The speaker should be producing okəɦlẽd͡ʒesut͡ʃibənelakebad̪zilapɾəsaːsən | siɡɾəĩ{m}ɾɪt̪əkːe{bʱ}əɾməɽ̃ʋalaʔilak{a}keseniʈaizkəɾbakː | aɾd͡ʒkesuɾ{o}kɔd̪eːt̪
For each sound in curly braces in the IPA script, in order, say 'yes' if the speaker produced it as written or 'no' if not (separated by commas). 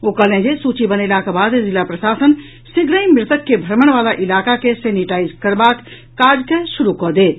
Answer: yes, yes, yes, no